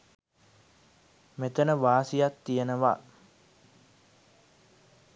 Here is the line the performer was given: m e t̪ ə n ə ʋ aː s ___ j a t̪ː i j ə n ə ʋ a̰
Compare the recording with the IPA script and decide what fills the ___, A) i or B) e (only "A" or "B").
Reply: A